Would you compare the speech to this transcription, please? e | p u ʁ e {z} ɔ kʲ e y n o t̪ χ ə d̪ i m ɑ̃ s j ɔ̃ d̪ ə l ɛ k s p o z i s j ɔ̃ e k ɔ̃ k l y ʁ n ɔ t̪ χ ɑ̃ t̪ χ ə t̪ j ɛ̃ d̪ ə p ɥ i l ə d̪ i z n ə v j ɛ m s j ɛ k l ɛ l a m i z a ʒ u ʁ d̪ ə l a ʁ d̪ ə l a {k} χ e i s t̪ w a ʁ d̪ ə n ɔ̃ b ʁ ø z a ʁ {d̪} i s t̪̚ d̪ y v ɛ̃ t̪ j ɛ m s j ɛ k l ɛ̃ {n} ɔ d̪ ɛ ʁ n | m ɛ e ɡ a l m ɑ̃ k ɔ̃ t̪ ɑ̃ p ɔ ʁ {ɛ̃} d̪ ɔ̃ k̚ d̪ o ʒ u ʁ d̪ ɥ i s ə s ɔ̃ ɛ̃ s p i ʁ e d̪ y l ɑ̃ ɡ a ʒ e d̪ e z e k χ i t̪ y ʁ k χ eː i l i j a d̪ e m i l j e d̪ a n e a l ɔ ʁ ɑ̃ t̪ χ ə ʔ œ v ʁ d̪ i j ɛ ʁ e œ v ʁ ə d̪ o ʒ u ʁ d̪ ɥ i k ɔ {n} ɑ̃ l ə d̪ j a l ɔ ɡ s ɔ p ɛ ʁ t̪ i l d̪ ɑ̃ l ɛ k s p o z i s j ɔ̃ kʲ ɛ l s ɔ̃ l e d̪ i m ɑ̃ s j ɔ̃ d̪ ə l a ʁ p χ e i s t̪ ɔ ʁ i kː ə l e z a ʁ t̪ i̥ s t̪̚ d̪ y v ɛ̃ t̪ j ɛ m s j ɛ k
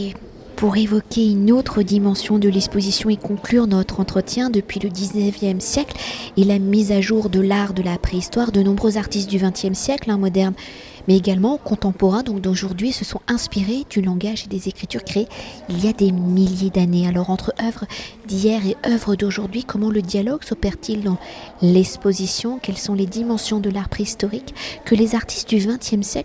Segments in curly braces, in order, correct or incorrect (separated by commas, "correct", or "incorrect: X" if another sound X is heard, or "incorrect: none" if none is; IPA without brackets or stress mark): incorrect: v, incorrect: p, incorrect: t̪, incorrect: m, correct, incorrect: m